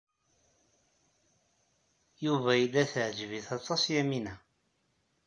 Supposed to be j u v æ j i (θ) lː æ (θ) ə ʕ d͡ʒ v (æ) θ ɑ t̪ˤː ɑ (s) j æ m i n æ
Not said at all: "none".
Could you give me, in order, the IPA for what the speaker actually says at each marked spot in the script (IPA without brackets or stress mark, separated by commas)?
none, θ, i, s